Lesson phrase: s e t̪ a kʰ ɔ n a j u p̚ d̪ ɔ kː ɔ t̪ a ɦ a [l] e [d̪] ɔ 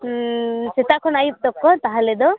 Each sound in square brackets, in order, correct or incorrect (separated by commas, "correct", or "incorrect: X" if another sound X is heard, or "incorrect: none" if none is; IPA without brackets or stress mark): correct, correct